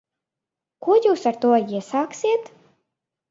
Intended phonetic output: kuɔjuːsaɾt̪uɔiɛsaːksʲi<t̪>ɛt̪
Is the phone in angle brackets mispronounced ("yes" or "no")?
yes